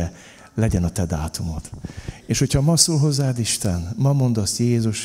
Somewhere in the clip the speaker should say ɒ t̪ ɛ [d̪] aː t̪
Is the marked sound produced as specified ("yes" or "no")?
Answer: yes